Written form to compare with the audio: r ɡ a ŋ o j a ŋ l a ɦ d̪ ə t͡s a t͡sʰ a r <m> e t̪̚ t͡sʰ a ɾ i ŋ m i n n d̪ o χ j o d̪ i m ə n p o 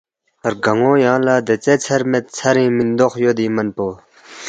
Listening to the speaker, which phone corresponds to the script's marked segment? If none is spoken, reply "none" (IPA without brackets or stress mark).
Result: m